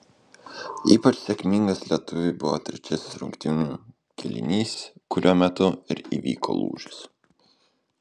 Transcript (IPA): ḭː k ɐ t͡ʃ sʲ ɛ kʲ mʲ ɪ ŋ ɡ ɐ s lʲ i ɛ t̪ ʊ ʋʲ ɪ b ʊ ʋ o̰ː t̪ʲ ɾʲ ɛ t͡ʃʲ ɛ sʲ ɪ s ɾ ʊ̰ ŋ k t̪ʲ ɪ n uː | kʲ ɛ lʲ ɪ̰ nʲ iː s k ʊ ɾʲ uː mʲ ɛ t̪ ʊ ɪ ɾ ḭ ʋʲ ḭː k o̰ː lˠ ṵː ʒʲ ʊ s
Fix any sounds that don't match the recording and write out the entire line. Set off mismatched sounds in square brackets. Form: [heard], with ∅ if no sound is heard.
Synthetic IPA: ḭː [p] ɐ t͡ʃ sʲ ɛ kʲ mʲ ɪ ŋ ɡ ɐ s lʲ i ɛ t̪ ʊ ʋʲ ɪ b ʊ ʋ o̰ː t̪ʲ ɾʲ ɛ t͡ʃʲ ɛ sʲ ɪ s ɾ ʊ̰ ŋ k t̪ʲ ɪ n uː | kʲ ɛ lʲ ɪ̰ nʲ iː s k ʊ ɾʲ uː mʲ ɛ t̪ ʊ ɪ ɾ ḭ ʋʲ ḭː k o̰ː lˠ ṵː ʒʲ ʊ s

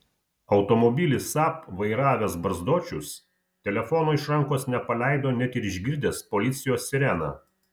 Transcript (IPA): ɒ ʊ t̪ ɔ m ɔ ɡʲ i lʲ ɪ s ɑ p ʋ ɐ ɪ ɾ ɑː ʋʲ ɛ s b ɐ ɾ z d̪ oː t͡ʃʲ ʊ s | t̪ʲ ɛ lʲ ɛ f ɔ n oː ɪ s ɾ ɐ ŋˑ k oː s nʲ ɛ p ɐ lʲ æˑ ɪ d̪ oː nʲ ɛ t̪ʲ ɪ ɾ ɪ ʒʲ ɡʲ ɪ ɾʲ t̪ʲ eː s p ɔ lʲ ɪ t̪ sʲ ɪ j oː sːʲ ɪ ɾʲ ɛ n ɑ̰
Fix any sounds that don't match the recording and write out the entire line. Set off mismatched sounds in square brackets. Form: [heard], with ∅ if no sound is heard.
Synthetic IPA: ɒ ʊ t̪ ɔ m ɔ [bʲ] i lʲ ɪ s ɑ p ʋ ɐ ɪ ɾ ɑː ʋʲ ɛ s b ɐ ɾ z d̪ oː t͡ʃʲ ʊ s | t̪ʲ ɛ lʲ ɛ f ɔ n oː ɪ [ʃ] ɾ ɐ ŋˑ k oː s nʲ ɛ p ɐ lʲ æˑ ɪ d̪ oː nʲ ɛ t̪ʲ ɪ ɾ ɪ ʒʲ ɡʲ ɪ ɾʲ [d̪ʲ] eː s p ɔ lʲ ɪ t̪ sʲ ɪ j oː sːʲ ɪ ɾʲ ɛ n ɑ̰

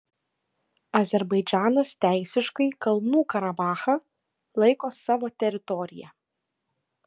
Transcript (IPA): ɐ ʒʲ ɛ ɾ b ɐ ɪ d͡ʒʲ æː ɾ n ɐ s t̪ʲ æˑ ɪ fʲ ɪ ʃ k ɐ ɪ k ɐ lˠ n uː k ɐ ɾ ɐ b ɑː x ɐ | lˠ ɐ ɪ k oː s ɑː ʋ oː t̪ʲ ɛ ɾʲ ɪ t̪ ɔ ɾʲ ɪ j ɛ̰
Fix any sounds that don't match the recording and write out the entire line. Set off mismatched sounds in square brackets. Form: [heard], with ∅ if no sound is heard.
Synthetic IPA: ɐ [zʲ] ɛ ɾ b ɐ ɪ d͡ʒʲ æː [∅] n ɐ s t̪ʲ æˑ ɪ [sʲ] ɪ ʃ k ɐ ɪ k ɐ lˠ n uː k ɐ ɾ ɐ b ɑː x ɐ | lˠ ɐ ɪ k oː s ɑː ʋ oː t̪ʲ ɛ ɾʲ ɪ t̪ ɔ ɾʲ ɪ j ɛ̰

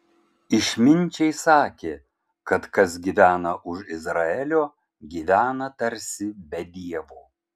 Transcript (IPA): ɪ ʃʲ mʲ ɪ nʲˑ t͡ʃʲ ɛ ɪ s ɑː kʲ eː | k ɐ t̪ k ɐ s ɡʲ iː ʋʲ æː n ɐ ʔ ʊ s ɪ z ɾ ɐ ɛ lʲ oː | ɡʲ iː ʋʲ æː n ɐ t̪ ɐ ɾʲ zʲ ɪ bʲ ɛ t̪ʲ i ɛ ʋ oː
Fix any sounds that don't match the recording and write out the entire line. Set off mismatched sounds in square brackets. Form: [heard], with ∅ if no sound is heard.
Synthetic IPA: ɪ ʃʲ mʲ ɪ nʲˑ t͡ʃʲ ɛ ɪ s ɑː kʲ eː | k ɐ t̪ k ɐ s ɡʲ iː ʋʲ æː n ɐ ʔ ʊ [ʃ] ɪ z ɾ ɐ ɛ lʲ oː | ɡʲ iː ʋʲ æː n ɐ t̪ ɐ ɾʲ [sʲ] ɪ bʲ ɛ [d̪ʲ] i ɛ ʋ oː

